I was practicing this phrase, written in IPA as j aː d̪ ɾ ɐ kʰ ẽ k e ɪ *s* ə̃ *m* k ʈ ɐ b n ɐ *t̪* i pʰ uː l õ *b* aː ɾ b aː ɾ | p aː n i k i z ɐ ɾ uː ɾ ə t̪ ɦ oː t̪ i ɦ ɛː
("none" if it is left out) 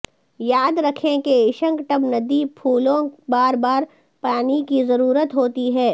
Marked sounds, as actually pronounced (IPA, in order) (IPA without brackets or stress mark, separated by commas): ʃ, ŋ, d̪, b